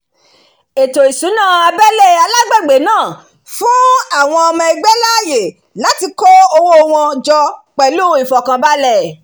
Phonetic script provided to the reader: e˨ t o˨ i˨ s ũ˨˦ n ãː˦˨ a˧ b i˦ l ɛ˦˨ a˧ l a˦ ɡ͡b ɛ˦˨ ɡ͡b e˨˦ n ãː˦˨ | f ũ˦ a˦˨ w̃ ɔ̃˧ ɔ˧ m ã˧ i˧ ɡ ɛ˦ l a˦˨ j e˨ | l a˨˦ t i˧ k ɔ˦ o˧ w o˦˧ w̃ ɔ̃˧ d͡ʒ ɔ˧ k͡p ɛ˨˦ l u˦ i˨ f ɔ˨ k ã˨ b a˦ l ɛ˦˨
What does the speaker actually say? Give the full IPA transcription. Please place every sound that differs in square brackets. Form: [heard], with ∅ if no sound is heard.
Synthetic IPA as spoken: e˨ t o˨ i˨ s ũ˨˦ n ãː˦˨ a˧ b [ɛ˦] l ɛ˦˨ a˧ l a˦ ɡ͡b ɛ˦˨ ɡ͡b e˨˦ n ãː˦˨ | f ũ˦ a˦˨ w̃ ɔ̃˧ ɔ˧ m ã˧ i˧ [ɡ͡b] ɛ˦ l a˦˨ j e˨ | l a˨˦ t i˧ k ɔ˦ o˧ w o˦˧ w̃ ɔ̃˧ d͡ʒ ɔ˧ k͡p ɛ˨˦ l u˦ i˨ f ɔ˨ k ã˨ b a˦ l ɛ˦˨